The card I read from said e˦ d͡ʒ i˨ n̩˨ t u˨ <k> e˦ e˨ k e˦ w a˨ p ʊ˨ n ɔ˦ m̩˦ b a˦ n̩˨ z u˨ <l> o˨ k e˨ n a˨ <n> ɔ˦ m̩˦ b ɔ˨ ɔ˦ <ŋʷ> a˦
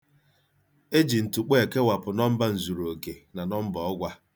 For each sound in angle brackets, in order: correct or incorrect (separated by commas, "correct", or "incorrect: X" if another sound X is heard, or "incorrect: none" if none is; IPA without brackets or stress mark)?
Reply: incorrect: k͡p, incorrect: ɾ, correct, incorrect: ɡʷ